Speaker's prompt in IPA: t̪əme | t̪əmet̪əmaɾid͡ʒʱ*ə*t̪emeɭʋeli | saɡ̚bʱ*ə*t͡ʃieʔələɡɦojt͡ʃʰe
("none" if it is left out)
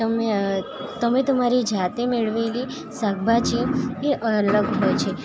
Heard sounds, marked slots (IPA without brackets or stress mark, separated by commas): a, a